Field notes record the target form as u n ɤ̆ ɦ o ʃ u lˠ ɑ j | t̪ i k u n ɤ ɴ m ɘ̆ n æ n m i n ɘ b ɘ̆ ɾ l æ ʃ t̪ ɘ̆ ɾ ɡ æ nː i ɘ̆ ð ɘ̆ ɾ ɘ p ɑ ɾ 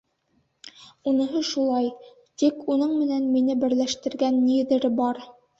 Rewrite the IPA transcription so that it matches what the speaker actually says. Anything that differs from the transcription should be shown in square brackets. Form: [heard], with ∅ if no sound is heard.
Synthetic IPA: u n ɤ̆ ɦ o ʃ u lˠ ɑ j | t̪ i k u n ɤ ɴ m ɘ̆ n æ n m i n ɘ b ɘ̆ ɾ l æ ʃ t̪ ɘ̆ ɾ ɡ æ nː i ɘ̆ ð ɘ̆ ɾ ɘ [b] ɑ ɾ